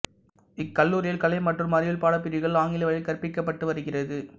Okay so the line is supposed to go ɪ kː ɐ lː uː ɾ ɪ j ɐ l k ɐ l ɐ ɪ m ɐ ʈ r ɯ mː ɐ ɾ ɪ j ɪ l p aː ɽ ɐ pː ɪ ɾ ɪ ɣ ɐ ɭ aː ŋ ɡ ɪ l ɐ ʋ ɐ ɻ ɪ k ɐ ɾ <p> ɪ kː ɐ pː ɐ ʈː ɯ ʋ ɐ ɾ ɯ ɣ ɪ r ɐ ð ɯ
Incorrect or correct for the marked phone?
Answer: correct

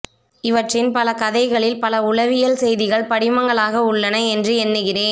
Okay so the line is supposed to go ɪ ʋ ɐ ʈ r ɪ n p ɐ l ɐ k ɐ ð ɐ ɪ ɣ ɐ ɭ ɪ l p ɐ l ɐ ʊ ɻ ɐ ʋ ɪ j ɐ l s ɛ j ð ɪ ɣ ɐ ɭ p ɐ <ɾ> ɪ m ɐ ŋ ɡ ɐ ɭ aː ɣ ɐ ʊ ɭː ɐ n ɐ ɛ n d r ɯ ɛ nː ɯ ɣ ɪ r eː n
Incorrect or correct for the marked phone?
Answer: incorrect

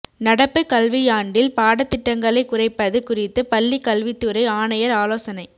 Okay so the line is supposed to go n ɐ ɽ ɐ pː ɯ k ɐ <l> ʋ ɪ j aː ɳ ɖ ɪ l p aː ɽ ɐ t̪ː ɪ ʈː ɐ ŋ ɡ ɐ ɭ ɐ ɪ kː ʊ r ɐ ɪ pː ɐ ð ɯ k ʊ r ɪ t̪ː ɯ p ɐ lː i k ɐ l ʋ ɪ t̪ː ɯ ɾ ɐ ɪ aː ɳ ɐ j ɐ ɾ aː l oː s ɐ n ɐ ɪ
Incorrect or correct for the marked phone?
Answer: correct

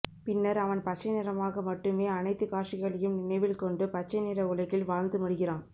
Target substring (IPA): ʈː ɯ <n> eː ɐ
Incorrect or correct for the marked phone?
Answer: incorrect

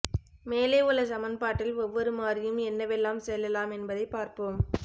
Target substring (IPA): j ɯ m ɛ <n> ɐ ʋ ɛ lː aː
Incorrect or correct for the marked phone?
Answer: incorrect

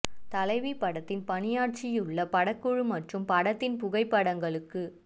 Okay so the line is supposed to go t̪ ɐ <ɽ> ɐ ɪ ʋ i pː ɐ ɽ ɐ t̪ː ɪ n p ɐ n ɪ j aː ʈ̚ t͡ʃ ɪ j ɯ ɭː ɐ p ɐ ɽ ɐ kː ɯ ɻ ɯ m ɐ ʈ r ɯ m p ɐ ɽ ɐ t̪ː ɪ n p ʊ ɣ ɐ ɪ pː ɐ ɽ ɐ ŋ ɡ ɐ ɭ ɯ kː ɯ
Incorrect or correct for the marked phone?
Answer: incorrect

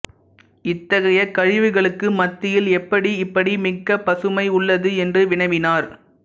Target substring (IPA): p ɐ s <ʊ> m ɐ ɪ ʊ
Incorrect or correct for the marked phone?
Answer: incorrect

